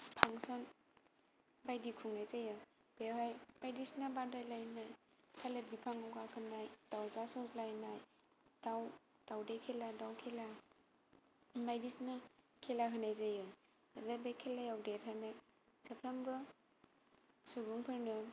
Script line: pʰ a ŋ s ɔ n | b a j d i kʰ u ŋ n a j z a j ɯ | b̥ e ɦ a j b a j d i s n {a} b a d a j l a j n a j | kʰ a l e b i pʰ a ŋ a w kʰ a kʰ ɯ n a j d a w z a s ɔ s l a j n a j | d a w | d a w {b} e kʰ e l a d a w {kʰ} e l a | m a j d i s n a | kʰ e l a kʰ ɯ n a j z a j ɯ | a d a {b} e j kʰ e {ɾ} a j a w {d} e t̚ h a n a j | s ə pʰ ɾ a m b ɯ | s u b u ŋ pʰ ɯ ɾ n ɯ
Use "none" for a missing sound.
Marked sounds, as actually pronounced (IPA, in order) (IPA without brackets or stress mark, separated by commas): a, d, kʰ, b, l, d